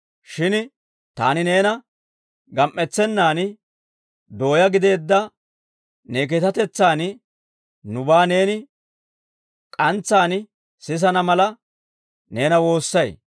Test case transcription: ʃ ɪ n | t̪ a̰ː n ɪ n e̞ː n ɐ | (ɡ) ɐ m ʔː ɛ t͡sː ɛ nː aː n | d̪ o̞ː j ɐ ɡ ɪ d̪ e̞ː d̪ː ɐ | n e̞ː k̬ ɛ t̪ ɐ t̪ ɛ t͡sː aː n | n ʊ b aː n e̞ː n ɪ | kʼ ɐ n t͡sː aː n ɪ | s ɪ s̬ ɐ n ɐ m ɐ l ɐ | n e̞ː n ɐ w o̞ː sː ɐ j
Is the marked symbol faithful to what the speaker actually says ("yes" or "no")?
yes